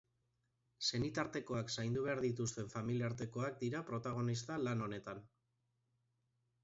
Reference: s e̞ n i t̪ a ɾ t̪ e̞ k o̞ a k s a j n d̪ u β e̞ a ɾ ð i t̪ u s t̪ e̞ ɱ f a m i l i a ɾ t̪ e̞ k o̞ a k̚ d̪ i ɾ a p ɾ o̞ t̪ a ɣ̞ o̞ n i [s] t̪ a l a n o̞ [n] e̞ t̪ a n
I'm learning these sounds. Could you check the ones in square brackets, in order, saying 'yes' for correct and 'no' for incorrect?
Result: yes, yes

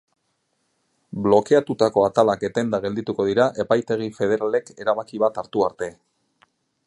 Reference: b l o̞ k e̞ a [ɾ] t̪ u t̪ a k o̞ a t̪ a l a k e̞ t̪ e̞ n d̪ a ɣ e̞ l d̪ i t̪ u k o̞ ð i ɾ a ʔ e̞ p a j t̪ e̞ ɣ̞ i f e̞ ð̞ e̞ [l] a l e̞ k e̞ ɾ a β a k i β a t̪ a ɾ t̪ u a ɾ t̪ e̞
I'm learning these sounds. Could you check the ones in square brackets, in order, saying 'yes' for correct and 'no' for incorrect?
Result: no, no

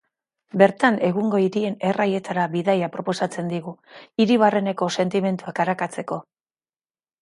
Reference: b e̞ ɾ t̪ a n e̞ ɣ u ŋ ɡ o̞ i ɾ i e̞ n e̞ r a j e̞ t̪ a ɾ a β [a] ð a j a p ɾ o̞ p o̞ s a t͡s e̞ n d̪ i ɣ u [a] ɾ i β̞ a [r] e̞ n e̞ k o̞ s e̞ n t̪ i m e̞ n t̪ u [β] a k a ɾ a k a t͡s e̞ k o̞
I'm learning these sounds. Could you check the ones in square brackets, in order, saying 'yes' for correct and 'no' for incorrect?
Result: no, no, yes, no

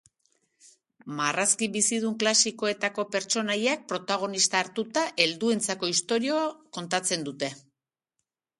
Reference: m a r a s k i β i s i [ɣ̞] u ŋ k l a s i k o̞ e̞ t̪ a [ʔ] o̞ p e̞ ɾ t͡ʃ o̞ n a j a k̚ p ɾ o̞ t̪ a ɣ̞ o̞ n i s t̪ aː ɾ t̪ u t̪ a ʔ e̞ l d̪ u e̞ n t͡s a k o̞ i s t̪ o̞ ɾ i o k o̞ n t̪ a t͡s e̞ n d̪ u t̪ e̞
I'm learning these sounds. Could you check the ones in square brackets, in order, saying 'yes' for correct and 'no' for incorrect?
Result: no, no

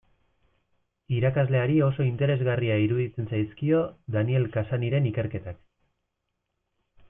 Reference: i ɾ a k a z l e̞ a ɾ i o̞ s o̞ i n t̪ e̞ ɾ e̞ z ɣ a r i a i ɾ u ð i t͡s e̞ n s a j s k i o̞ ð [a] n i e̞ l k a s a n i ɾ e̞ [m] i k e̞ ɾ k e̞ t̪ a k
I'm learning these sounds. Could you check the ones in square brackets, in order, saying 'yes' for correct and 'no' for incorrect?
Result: yes, no

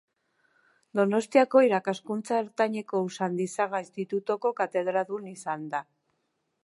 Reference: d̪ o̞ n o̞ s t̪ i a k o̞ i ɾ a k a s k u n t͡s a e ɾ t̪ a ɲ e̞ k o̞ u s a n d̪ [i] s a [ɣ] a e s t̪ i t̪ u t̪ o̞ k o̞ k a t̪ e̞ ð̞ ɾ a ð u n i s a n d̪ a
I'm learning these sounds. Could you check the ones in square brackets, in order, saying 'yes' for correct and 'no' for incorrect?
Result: yes, yes

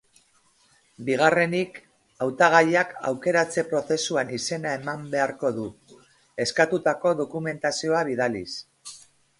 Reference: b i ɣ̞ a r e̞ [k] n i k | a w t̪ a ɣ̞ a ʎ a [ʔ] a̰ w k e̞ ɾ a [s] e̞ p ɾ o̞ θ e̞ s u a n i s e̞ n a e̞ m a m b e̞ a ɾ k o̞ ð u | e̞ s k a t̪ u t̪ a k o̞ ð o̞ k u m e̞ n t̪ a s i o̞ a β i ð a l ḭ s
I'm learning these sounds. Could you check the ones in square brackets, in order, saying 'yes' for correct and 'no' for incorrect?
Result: no, no, no

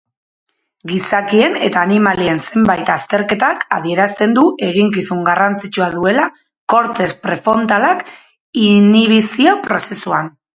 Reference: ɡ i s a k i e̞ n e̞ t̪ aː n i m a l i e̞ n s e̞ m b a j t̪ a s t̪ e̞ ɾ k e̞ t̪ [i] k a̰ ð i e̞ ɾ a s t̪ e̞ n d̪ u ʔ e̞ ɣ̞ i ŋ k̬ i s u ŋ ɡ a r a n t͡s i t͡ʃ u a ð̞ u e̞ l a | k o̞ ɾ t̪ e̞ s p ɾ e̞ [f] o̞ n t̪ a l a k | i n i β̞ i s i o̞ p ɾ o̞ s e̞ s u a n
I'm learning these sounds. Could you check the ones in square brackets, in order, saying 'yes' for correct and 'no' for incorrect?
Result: no, yes

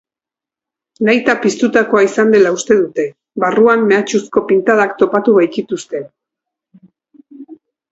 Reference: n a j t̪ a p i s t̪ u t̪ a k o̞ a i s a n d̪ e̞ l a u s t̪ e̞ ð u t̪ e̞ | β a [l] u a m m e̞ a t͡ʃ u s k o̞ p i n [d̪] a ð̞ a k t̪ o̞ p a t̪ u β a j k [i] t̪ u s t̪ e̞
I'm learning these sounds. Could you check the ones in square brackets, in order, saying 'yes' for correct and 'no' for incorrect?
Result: no, no, yes

